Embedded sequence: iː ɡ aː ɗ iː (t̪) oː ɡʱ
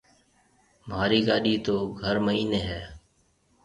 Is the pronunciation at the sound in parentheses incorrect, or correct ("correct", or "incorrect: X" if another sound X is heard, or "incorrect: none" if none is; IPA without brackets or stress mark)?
correct